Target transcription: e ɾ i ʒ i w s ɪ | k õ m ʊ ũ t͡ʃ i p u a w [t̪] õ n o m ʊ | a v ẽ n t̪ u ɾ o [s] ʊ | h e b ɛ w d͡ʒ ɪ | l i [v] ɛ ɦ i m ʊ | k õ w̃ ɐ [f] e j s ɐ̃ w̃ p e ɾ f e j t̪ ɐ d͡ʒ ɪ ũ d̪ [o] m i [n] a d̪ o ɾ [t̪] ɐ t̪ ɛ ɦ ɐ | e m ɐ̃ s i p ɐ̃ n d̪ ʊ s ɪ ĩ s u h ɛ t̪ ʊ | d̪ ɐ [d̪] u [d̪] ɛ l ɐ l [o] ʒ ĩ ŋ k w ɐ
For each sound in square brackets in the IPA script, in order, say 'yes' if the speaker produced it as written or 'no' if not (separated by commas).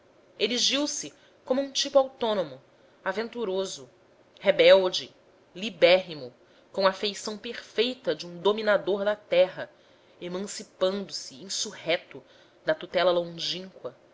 yes, no, no, yes, yes, yes, no, no, no, no